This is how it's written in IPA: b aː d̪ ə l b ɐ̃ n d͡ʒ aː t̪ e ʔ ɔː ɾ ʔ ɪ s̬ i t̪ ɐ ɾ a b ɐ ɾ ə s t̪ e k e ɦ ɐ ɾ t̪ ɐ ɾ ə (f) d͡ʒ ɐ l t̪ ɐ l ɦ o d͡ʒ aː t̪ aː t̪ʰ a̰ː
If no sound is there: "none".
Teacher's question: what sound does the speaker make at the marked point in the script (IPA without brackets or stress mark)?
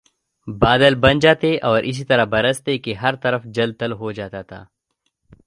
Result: f